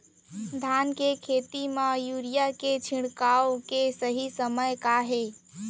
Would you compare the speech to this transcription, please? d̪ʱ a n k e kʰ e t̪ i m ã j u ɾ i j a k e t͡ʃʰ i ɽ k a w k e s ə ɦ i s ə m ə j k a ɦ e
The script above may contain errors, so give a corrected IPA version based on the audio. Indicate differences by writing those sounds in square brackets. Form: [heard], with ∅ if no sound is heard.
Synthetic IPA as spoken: d̪ʱ a n k e kʰ e t̪ i m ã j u ɾ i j a k e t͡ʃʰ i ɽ k a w k e s ə ɦ i s ə m ə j k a ɦ e